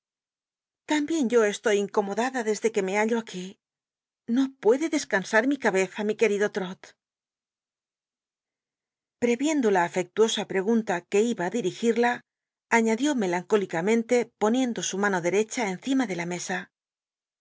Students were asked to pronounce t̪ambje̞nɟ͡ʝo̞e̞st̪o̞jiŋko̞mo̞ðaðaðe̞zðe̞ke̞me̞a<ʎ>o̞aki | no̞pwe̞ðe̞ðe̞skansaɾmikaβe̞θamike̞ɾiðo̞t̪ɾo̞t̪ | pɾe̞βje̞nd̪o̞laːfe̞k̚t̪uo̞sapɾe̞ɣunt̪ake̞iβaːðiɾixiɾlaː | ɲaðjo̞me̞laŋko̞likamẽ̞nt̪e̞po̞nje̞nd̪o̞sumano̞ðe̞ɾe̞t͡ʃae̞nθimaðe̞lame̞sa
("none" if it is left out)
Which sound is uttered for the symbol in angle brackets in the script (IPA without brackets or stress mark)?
ʎ